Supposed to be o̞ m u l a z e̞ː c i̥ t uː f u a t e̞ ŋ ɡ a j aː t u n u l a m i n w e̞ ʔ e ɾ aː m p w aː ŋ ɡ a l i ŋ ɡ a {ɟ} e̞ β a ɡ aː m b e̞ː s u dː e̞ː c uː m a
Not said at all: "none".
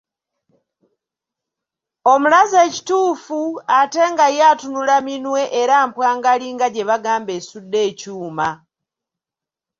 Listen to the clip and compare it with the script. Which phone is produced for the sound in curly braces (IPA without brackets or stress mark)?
ɟ